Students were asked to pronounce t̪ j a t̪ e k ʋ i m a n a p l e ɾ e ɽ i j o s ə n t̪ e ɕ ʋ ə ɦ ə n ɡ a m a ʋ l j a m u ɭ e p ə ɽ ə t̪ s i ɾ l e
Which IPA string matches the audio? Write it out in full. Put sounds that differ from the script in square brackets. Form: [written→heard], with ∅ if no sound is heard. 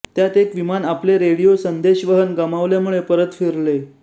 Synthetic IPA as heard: t̪ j a t̪ e k ʋ i m a n a p l e ɾ e ɽ i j o s ə n [t̪→d̪] e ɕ ʋ ə ɦ ə n ɡ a m a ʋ l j a m u ɭ e p ə [ɽ→ɾ] ə t̪ [s→f] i ɾ l e